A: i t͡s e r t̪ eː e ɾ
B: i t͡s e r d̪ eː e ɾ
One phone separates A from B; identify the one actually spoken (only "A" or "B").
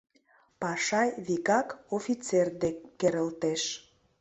B